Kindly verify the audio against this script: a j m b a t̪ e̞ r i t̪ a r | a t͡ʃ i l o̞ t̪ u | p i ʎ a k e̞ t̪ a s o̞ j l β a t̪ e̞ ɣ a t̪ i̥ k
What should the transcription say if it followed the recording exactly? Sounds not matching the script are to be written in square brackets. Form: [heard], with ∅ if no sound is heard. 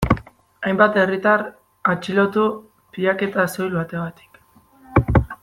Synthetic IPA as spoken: a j m b a t̪ e̞ r i t̪ a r | a t͡ʃ i l o̞ t̪ u | p i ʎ a k e̞ t̪ a s o̞ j l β a t̪ e̞ ɣ a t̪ i̥ k